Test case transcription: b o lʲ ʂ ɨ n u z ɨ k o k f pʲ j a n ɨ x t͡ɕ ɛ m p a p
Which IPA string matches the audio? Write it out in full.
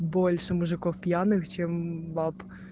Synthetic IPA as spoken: b o lʲ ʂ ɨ m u ʐ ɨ k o f pʲ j a n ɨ x t͡ɕ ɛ m b a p